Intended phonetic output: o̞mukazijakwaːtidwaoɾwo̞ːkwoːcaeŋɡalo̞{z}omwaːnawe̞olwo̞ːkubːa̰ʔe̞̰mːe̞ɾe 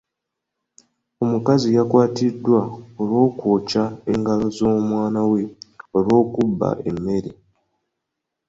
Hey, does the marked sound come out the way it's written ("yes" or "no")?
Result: yes